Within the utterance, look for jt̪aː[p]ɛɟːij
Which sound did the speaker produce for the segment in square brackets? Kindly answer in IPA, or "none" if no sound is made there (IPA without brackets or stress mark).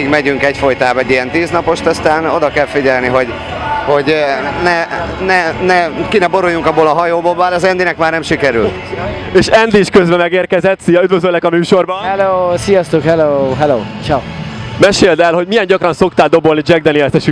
b